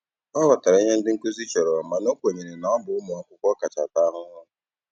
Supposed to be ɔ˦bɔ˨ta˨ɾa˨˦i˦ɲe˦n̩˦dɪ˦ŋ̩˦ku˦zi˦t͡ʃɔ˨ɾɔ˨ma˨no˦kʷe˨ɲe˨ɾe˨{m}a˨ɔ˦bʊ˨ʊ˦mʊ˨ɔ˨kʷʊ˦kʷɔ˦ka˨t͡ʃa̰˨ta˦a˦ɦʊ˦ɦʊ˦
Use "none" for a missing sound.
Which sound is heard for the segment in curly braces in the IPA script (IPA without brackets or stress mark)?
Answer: n